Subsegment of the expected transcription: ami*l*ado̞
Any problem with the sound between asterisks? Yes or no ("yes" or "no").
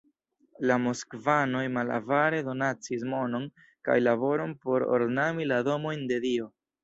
no